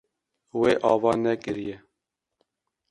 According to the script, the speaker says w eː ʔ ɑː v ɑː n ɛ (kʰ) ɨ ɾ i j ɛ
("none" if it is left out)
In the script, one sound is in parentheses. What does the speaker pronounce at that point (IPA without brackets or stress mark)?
k